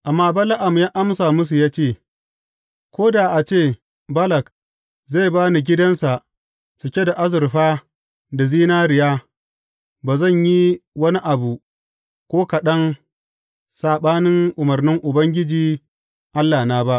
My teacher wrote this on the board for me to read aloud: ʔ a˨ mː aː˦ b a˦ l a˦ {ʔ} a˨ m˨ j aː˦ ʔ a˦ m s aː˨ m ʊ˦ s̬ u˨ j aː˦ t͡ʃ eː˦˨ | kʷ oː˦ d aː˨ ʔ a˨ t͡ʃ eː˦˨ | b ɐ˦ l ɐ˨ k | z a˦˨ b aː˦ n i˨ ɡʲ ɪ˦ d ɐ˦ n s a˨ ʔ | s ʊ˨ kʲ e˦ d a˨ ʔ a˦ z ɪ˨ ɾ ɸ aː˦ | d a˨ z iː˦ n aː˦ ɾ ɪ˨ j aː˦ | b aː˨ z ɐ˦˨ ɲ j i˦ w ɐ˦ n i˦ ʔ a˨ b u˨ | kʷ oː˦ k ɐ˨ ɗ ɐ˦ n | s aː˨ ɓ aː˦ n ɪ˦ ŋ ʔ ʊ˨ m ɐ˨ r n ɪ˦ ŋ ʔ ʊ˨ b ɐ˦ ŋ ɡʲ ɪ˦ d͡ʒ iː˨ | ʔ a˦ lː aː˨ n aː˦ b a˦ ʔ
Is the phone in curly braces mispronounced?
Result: no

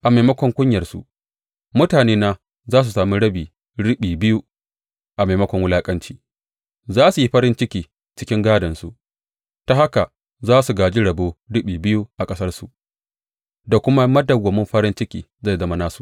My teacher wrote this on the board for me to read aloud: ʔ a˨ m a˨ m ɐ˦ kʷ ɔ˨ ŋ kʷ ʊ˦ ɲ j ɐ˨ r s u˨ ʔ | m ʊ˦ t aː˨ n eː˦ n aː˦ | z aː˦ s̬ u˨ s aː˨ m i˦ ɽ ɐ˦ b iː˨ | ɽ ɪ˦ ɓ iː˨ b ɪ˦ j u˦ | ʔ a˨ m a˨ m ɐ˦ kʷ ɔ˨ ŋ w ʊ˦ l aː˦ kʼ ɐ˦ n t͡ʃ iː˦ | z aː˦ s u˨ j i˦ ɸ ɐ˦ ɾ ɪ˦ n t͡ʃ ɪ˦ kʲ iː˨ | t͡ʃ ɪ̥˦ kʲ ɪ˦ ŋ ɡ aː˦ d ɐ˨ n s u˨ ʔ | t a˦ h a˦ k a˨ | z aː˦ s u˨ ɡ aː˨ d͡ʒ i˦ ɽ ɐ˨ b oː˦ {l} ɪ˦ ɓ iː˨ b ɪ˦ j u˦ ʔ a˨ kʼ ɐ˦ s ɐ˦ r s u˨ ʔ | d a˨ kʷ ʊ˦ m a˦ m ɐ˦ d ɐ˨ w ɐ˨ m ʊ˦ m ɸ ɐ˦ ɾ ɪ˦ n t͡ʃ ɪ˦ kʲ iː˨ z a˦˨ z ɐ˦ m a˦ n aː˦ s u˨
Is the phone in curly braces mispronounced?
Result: yes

